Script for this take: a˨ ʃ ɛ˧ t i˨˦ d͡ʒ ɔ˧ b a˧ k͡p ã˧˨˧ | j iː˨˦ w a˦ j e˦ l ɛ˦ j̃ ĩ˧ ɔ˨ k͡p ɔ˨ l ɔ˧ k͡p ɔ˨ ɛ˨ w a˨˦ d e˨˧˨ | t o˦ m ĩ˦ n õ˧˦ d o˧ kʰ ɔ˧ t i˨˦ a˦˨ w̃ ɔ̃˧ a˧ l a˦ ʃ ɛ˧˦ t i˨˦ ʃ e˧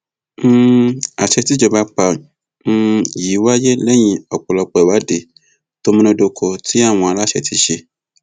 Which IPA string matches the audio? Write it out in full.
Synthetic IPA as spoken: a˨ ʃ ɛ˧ t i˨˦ d͡ʒ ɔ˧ b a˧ k͡p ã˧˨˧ | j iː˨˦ w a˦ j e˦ l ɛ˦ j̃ ĩ˧ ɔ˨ k͡p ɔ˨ l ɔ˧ k͡p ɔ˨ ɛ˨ w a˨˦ d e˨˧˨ | t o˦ m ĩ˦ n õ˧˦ d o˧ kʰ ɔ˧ t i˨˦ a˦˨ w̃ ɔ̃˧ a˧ l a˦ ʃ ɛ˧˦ t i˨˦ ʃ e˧

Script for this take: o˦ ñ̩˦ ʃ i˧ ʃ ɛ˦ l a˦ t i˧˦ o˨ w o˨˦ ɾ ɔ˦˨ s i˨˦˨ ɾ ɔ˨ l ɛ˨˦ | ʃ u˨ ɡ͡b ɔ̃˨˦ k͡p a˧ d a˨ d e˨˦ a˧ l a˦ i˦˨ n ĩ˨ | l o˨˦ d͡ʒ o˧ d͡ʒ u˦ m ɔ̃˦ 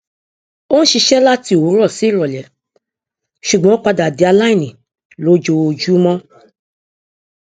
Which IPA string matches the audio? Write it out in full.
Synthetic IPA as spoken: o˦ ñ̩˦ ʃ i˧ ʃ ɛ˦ l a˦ t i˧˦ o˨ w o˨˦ ɾ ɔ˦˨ s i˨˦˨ ɾ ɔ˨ l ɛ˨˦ | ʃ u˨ ɡ͡b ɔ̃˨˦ k͡p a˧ d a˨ d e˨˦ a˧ l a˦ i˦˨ n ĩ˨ | l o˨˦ d͡ʒ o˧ d͡ʒ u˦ m ɔ̃˦

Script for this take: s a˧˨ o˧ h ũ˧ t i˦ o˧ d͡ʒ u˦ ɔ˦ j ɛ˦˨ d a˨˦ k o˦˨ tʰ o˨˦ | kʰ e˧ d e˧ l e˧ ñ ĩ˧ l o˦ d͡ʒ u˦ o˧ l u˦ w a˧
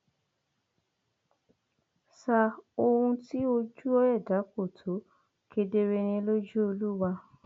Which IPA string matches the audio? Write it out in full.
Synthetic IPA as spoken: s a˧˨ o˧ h ũ˧ t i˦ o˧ d͡ʒ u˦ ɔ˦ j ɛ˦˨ d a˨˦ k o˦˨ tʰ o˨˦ | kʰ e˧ d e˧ ɾ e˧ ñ ĩ˧ l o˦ d͡ʒ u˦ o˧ l u˦ w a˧

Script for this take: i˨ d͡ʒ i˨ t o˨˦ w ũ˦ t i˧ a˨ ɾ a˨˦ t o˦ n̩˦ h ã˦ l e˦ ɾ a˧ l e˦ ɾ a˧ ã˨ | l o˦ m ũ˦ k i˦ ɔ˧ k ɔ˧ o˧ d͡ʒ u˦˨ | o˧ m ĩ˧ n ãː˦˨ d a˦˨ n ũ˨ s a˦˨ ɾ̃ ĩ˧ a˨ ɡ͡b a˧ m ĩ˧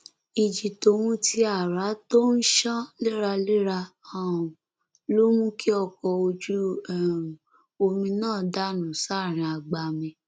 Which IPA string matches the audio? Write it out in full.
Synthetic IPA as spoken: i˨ d͡ʒ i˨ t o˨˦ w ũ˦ t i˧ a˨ ɾ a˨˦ t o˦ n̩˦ ʃ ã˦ l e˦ ɾ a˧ l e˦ ɾ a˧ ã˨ | l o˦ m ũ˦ k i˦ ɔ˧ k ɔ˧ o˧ d͡ʒ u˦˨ | o˧ m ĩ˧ n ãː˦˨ d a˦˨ n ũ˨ s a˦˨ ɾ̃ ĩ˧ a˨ ɡ͡b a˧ m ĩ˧

